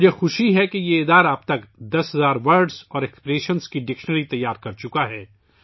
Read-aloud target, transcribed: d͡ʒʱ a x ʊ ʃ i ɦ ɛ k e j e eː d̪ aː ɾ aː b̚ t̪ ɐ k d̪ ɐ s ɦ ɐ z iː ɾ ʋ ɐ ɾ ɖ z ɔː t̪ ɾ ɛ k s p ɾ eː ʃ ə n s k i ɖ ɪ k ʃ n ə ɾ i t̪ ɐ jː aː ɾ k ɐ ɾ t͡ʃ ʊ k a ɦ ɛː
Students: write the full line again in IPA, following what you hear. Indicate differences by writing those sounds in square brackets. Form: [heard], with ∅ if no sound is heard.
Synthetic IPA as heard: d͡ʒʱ [e] x ʊ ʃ i ɦ ɛ k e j e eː d̪ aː ɾ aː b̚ t̪ ɐ k d̪ ɐ s ɦ ɐ z [aː] ɾ ʋ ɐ ɾ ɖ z ɔː [∅] ɾ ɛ k s p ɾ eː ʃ ə n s k i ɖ ɪ k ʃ n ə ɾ i t̪ ɐ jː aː ɾ k ɐ ɾ t͡ʃ ʊ k a ɦ ɛː